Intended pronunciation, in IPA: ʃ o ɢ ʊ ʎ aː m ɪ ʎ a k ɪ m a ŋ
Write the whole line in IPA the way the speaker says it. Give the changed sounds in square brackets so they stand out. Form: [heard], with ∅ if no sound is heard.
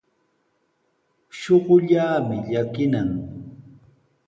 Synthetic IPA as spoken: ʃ o ɢ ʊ ʎ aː m ɪ ʎ a k ɪ [n] a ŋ